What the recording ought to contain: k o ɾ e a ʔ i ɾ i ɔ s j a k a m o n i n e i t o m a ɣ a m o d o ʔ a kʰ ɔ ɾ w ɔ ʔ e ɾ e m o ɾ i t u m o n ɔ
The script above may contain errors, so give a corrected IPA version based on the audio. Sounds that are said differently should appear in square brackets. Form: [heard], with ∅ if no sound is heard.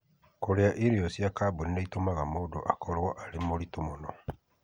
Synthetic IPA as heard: k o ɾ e a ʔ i ɾ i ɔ s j a k a [b] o n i n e i t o m a ɣ a m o d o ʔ a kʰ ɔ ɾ w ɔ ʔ [a] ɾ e m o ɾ i t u m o n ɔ